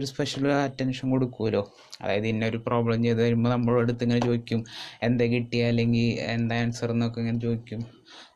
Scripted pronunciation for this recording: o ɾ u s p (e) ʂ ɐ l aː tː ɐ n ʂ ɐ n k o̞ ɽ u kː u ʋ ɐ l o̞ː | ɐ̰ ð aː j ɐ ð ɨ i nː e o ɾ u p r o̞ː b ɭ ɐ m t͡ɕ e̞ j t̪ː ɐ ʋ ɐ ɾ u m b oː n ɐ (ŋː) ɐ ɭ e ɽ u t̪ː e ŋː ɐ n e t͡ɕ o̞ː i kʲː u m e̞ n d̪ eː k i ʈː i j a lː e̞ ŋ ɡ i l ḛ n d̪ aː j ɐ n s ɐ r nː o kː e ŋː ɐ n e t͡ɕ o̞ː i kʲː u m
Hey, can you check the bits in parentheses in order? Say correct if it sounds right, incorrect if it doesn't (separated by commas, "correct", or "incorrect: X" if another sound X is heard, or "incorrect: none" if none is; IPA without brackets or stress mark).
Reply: correct, incorrect: mː